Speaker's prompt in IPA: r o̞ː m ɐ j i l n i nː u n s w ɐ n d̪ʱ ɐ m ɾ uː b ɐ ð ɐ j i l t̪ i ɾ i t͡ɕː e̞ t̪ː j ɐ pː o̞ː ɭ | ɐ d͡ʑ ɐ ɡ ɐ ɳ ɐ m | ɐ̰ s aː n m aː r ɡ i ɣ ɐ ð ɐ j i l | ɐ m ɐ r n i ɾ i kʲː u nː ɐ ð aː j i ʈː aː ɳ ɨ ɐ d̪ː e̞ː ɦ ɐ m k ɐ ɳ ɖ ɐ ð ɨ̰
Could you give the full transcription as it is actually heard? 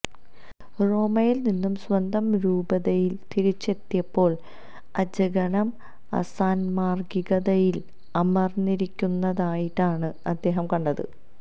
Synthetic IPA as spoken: r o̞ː m ɐ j i l n i nː u m s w ɐ n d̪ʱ ɐ m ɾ uː b ɐ ð ɐ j i l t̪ i ɾ i t͡ɕː e̞ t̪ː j ɐ pː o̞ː ɭ | ɐ d͡ʑ ɐ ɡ ɐ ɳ ɐ m | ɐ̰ s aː n m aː r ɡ i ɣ ɐ ð ɐ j i l | ɐ m ɐ r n i ɾ i kʲː u nː ɐ ð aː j i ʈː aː ɳ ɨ ɐ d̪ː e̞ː ɦ ɐ m k ɐ ɳ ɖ ɐ ð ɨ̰